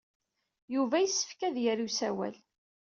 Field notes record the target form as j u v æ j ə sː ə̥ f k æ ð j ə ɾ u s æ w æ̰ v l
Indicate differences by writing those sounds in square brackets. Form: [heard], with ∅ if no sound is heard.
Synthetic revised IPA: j u v æ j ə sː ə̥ f k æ ð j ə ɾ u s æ w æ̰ [∅] l